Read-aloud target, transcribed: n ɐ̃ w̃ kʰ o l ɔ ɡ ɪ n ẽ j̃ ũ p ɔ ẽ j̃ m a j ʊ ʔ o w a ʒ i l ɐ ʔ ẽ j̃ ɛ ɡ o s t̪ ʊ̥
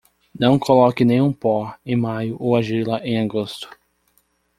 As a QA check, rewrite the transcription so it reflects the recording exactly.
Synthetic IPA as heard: n ɐ̃ w̃ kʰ o l ɔ k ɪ n ẽ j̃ ũ p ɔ ẽ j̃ m a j ʊ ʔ o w a ʒ i l ɐ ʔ ẽ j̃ a ɡ o s t̪ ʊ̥